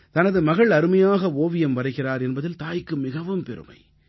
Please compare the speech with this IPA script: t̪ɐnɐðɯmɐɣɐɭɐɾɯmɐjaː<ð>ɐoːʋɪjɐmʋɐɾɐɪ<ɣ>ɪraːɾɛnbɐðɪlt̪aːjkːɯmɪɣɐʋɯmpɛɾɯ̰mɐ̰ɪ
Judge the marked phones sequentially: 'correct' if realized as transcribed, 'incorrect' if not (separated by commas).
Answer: incorrect, correct